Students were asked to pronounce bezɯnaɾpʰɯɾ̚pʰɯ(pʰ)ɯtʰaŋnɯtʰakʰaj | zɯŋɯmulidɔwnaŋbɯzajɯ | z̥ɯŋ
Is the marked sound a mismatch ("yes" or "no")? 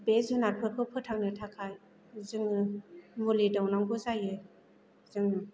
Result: no